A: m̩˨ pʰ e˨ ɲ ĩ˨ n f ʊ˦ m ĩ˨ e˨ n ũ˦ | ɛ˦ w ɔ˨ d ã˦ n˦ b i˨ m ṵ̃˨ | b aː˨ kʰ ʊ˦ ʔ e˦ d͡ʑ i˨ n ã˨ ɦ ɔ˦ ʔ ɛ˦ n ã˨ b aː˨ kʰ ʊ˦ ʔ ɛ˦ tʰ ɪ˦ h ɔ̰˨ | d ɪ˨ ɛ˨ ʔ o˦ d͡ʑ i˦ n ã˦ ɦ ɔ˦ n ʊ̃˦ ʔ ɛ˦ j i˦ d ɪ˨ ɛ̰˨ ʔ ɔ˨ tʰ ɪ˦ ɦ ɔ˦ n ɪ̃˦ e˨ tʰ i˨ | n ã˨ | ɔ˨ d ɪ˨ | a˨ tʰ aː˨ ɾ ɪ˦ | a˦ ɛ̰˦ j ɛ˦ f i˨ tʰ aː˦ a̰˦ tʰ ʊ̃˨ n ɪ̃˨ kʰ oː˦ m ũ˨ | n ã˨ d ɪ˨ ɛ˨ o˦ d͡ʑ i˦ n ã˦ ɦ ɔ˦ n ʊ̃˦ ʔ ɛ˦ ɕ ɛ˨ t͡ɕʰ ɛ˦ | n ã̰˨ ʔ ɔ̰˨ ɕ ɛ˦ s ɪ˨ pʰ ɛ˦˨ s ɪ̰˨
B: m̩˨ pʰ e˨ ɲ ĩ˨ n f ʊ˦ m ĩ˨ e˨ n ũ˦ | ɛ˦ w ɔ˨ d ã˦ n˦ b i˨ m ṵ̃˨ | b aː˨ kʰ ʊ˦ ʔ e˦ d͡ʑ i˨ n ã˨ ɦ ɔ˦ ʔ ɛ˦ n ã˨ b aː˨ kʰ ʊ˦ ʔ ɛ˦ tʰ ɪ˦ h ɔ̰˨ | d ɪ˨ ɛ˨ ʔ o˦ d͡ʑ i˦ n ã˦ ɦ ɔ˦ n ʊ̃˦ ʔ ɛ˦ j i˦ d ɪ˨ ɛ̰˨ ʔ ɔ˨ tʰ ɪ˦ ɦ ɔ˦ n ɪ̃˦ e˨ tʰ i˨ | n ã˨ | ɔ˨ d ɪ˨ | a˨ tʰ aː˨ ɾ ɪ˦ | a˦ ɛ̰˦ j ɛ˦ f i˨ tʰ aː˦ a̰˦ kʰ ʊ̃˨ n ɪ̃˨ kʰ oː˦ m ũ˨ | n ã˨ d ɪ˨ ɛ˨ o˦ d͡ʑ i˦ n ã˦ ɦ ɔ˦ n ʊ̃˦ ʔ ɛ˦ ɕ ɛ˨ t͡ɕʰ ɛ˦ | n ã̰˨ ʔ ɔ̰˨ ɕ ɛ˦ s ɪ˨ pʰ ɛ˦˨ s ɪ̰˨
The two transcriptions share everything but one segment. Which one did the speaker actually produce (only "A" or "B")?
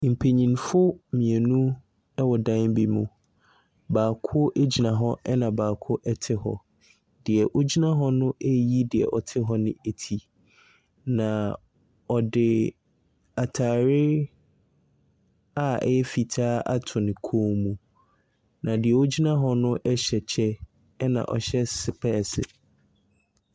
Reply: A